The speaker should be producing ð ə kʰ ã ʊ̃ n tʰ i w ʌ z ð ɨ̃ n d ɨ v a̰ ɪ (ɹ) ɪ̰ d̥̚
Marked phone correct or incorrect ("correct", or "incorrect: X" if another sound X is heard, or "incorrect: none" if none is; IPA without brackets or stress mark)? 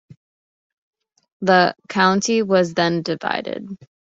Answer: incorrect: ɾ